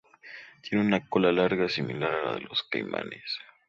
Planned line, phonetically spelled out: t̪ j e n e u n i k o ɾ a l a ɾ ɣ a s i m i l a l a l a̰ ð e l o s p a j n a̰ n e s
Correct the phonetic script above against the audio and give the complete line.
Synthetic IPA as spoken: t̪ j e n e u n a k o l a l a ɾ ɣ a s i m i l a ɾ a l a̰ ð e l o s k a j m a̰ n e s